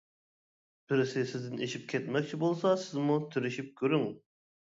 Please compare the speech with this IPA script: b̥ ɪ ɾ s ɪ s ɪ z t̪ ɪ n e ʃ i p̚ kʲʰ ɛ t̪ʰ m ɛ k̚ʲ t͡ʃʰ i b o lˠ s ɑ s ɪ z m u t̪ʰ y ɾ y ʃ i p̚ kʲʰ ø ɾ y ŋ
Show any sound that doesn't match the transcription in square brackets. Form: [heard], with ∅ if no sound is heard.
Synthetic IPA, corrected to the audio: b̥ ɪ ɾ s ɪ s ɪ z [d̪] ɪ n e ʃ i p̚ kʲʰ ɛ [t̪] m ɛ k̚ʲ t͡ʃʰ i b o lˠ s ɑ s ɪ z m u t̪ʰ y ɾ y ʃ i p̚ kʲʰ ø ɾ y ŋ

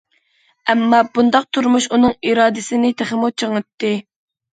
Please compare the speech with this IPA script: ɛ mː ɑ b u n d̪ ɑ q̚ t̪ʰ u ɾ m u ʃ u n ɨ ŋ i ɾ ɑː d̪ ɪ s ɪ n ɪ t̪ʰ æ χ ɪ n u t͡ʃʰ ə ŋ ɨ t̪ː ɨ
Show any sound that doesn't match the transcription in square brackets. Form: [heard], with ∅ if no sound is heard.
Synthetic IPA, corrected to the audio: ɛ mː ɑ b u n d̪ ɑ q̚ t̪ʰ u ɾ m u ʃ u n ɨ ŋ i ɾ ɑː d̪ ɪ s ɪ n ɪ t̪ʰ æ χ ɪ [m] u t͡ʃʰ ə ŋ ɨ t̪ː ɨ

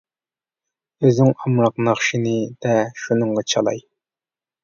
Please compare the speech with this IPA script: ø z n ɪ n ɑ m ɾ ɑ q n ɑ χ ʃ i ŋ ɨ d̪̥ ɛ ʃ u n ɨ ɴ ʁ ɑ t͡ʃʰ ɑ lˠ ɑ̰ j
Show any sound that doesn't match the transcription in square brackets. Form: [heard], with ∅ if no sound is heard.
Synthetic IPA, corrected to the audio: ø z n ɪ [ŋ] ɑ m ɾ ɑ q n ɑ χ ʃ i [n] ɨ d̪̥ ɛ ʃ u n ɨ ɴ ʁ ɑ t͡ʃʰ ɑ lˠ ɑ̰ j

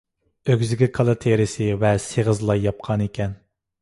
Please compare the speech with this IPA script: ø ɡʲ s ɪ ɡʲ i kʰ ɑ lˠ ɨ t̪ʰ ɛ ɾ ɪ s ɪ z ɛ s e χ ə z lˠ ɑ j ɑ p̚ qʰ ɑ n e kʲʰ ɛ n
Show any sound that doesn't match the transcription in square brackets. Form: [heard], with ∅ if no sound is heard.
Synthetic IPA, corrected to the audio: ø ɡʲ [z] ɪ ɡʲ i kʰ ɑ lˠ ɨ t̪ʰ [e] ɾ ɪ s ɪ [v] ɛ s e [ʁ] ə z lˠ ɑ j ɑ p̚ qʰ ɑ n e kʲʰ ɛ n

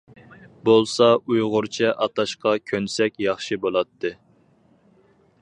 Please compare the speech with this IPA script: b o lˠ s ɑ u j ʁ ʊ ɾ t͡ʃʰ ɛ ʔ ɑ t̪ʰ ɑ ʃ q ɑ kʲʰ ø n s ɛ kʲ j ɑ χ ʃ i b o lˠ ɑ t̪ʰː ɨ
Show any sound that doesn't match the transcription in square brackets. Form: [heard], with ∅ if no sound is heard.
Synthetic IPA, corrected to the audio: b o lˠ s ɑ u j ʁ ʊ ɾ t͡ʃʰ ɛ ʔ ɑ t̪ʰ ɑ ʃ q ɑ kʲʰ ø n s ɛ kʲ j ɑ χ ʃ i b o lˠ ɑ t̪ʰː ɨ

